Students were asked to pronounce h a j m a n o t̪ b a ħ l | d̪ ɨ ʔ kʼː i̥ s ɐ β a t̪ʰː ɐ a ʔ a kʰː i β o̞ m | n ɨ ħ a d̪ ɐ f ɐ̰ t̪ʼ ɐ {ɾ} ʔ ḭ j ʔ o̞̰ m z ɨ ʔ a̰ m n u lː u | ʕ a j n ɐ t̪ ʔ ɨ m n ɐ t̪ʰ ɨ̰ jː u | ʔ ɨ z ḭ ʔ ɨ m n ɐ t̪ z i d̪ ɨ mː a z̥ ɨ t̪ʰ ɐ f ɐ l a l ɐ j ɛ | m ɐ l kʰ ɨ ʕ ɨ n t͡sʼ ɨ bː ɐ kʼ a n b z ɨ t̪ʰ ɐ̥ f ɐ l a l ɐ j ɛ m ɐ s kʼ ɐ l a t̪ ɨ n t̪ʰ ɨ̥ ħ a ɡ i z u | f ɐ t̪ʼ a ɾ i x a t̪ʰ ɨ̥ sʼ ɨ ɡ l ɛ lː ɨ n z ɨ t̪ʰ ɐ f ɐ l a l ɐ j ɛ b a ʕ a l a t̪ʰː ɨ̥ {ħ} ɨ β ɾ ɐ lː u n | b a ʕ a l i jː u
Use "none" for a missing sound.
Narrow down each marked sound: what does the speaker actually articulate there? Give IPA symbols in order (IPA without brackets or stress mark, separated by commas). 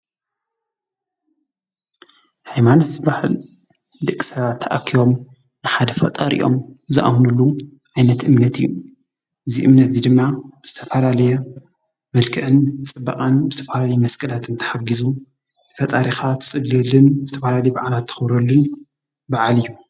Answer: ɾ, x